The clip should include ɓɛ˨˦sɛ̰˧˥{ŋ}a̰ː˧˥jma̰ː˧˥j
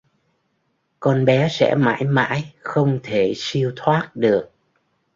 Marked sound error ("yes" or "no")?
yes